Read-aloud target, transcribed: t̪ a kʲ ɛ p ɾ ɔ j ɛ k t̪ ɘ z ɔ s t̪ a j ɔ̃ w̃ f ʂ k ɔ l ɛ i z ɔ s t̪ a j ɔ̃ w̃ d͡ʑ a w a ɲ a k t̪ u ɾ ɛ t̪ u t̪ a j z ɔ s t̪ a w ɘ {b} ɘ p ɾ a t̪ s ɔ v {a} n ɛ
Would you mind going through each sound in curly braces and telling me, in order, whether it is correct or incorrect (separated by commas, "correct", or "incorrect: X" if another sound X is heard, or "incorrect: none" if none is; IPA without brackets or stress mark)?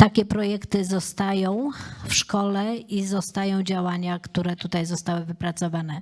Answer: incorrect: v, correct